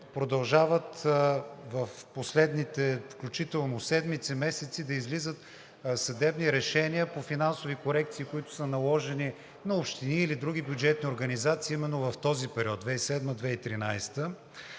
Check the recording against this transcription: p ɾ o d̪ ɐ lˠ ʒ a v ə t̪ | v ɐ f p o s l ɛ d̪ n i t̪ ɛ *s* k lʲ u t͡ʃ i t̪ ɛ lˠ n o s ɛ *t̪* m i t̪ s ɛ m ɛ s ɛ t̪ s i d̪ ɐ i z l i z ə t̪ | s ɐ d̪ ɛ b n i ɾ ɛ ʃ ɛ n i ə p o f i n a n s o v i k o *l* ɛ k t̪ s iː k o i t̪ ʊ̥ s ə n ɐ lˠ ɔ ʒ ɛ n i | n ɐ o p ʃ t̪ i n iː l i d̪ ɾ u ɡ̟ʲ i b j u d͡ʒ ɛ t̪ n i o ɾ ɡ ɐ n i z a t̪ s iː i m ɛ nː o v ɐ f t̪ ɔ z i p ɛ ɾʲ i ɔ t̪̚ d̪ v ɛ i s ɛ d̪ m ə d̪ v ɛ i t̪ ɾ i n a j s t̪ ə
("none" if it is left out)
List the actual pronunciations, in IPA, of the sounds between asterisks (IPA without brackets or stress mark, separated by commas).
f, d̪, ɾ